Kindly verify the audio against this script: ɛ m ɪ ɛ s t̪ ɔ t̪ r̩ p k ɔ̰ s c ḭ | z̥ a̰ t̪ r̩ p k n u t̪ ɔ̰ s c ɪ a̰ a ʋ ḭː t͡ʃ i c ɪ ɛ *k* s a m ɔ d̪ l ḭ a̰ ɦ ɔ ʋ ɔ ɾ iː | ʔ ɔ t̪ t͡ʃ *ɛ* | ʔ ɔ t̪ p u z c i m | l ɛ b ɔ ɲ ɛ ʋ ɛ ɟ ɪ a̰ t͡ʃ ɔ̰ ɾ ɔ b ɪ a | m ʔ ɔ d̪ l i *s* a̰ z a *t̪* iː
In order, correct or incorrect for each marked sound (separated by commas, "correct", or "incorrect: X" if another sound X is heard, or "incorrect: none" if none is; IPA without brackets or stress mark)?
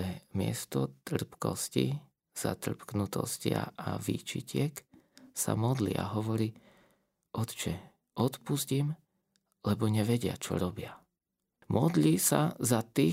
correct, correct, correct, correct